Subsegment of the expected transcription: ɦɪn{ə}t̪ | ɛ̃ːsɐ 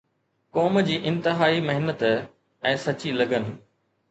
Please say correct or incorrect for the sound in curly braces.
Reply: correct